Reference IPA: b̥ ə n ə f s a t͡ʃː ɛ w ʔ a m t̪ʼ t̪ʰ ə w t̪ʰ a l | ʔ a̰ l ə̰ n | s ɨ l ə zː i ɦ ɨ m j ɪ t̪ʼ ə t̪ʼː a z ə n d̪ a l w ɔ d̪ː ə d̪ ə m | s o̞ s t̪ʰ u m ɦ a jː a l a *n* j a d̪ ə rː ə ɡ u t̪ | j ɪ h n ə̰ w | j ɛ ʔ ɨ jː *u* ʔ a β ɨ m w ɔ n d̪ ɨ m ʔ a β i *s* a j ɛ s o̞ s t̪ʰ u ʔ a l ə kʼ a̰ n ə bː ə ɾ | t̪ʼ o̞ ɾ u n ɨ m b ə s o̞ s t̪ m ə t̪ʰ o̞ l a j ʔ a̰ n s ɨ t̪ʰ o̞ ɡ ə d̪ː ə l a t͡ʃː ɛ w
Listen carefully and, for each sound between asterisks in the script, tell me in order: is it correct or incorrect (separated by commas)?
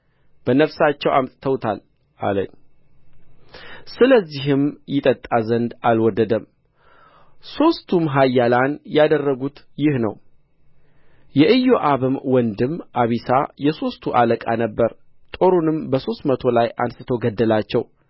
correct, incorrect, correct